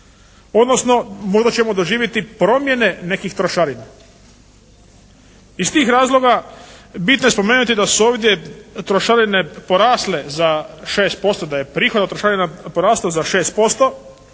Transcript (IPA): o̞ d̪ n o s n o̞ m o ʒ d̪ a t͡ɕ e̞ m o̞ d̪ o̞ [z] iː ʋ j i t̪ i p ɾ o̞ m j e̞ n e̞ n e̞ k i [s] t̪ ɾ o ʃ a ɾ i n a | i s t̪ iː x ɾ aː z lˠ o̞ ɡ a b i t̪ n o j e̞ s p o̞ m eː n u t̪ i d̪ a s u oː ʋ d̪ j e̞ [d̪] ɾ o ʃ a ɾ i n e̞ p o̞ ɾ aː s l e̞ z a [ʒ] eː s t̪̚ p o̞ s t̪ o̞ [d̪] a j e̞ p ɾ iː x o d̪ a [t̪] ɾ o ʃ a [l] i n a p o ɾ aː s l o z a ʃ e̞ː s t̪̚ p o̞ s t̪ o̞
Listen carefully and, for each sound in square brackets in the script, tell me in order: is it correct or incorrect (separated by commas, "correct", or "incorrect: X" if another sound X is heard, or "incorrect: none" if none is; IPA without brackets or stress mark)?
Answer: incorrect: ʒ, incorrect: x, incorrect: t̪, incorrect: ʃ, correct, correct, incorrect: ɾ